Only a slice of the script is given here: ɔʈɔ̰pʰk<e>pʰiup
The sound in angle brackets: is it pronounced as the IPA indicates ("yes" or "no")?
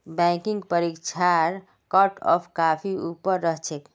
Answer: no